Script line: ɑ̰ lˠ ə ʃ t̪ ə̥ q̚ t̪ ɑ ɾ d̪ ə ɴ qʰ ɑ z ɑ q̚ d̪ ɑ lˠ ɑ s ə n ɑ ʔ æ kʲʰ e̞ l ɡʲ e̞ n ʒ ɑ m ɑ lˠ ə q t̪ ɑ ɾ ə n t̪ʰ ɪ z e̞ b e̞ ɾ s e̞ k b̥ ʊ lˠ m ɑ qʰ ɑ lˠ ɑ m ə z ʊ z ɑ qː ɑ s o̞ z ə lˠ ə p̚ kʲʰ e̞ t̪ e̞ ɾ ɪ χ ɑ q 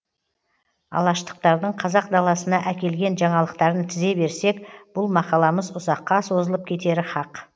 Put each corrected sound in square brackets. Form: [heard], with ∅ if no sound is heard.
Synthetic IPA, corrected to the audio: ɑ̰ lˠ [ɑ] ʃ t̪ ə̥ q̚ t̪ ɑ ɾ d̪ ə ɴ qʰ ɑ z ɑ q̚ d̪ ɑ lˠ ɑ s ə n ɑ ʔ æ [kʲ] e̞ l ɡʲ e̞ n ʒ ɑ [ɴ] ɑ lˠ ə q t̪ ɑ ɾ ə n t̪ʰ ɪ z e̞ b e̞ ɾ s e̞ k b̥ ʊ lˠ m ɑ [q] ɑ lˠ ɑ m ə z ʊ z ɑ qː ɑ s o̞ z ə lˠ ə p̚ kʲʰ e̞ t̪ e̞ ɾ ɪ χ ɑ q